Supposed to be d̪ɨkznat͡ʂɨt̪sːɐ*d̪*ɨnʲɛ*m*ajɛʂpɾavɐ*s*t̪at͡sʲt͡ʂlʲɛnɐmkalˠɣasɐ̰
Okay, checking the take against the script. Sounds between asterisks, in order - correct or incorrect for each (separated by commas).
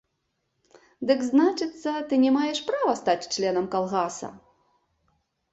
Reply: incorrect, correct, correct